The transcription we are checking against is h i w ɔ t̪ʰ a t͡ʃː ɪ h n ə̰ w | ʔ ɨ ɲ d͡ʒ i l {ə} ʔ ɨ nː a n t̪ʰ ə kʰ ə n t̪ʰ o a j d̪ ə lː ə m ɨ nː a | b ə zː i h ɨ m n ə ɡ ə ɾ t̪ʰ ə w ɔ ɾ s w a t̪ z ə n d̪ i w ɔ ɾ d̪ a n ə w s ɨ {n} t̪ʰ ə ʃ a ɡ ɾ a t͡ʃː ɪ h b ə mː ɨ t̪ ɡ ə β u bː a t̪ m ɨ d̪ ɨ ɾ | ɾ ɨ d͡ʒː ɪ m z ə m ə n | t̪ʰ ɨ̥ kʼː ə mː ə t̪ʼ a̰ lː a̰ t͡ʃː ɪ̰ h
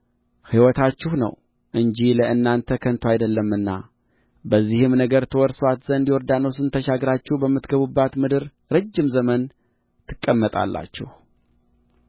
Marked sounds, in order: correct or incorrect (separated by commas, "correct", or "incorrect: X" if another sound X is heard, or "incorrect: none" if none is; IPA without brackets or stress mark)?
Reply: correct, correct